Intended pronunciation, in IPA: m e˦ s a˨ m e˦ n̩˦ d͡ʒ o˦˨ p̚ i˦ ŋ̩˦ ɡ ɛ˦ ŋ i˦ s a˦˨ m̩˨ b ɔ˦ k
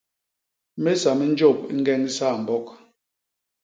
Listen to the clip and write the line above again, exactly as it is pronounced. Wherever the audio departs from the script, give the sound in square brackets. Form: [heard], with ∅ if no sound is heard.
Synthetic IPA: m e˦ s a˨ m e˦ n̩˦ d͡ʒ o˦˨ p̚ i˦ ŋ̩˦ ɡ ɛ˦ ŋ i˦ s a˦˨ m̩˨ b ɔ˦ k